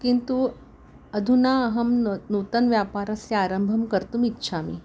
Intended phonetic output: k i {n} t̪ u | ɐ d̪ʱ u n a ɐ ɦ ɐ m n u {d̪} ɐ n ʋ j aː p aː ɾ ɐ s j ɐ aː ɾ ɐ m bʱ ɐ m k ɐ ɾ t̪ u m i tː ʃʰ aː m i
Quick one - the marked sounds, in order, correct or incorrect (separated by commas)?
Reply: correct, incorrect